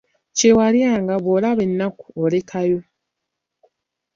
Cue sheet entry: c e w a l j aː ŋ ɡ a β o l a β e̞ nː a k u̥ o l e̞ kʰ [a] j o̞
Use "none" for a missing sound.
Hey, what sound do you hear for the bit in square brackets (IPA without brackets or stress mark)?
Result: a